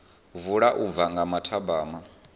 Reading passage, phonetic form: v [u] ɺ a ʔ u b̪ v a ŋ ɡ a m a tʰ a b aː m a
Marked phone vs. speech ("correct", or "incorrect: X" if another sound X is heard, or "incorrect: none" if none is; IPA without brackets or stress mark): correct